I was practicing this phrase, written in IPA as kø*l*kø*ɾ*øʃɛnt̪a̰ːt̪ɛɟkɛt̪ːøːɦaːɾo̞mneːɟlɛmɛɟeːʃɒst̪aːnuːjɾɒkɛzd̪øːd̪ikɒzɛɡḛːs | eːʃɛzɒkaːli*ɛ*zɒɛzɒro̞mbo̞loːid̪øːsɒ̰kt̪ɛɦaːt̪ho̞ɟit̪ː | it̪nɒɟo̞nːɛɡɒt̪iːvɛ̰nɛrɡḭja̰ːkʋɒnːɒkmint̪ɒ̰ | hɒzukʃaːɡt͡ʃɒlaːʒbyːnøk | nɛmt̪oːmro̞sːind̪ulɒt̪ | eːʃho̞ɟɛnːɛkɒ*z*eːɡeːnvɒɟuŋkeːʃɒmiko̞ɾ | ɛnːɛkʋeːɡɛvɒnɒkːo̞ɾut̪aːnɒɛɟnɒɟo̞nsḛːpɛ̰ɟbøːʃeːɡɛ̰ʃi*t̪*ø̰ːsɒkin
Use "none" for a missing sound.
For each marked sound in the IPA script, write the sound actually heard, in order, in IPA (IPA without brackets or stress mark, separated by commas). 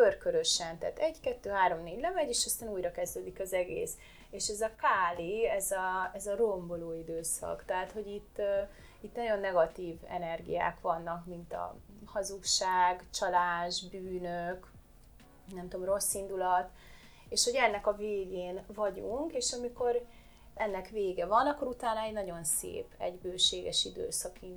r, ɾ, ɛ, v, d̪